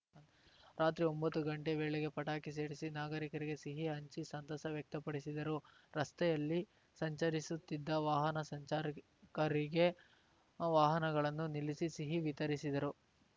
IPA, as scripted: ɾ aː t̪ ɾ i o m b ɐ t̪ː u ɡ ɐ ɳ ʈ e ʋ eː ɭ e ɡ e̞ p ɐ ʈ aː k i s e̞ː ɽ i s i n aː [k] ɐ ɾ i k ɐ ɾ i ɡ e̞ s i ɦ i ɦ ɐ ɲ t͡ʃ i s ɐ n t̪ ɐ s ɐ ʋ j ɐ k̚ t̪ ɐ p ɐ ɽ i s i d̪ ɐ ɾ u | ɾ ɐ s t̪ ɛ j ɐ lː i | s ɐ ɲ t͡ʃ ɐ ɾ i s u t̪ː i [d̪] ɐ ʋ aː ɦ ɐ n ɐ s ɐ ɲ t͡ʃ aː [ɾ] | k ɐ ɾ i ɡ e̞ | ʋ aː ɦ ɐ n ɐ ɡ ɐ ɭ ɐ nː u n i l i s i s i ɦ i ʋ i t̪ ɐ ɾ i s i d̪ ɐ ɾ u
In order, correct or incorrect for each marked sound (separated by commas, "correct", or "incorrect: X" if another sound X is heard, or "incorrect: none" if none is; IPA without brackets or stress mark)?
incorrect: ɡ, incorrect: d̪ː, correct